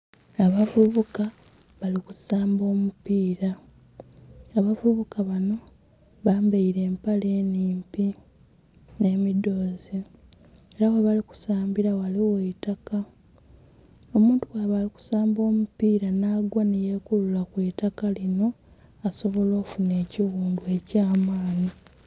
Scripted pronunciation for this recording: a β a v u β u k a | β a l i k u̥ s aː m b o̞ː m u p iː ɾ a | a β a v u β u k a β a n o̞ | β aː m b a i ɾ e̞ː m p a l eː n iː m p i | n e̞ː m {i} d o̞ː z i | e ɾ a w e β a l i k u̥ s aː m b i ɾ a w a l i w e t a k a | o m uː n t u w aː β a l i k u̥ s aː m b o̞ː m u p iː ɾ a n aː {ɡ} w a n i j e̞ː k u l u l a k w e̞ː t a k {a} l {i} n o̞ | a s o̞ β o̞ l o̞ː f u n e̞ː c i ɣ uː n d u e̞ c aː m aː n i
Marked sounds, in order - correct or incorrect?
correct, correct, correct, correct

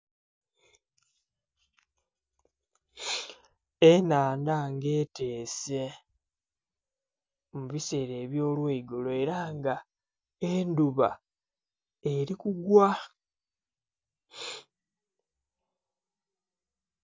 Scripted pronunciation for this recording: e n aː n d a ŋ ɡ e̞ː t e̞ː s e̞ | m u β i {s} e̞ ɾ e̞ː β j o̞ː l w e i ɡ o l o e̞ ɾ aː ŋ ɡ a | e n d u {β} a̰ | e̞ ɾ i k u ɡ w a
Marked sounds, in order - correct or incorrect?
correct, correct

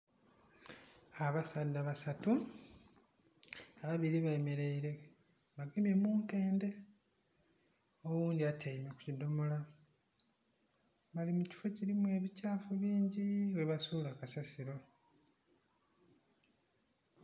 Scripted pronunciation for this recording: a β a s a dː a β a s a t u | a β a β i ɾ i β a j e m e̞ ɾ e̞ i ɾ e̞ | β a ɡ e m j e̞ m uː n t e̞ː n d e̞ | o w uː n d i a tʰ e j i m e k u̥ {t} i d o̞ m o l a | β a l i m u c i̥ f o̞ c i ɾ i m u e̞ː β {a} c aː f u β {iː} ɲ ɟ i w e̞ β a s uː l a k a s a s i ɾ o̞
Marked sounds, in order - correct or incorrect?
incorrect, incorrect, correct

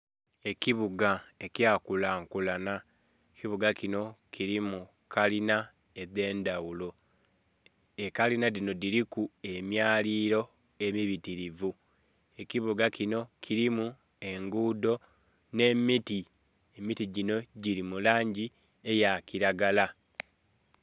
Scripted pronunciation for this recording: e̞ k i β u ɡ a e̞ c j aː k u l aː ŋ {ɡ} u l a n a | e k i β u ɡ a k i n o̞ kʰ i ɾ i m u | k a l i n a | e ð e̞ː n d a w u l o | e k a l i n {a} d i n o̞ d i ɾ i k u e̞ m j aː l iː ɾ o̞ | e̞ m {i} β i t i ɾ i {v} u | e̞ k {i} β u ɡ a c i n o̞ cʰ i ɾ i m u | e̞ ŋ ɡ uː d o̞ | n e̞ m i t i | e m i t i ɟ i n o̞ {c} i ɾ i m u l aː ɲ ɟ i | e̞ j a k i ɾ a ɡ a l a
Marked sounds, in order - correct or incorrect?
incorrect, correct, correct, correct, correct, incorrect

